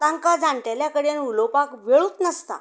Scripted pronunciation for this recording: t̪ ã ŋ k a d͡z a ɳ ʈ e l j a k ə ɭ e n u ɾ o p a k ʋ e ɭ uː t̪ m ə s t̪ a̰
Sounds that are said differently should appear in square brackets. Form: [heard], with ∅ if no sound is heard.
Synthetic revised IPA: t̪ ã ŋ k a d͡z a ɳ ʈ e l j a k ə [ɽ] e n u [l] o p a k ʋ e ɭ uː t̪ [n] ə s t̪ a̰